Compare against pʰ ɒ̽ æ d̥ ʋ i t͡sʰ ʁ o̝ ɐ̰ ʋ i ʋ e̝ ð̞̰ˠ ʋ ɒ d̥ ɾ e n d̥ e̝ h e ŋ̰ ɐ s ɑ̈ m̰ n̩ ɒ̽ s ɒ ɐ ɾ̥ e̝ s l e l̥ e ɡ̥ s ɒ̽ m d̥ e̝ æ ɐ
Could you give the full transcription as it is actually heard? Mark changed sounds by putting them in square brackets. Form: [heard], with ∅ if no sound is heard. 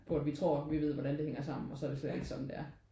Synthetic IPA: pʰ ɒ̽ æ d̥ ʋ i t͡sʰ ʁ o̝ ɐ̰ ʋ i ʋ e̝ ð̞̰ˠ ʋ ɒ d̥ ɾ [æ] n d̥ e̝ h e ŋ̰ ɐ s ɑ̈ m̰ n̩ ɒ̽ s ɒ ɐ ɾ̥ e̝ s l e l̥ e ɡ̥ s ɒ̽ m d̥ e̝ æ ɐ